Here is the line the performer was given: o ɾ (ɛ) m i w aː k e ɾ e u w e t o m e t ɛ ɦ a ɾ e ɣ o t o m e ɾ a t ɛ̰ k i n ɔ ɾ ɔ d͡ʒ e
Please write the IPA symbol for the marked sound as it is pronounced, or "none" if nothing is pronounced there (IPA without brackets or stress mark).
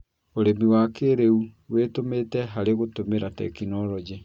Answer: e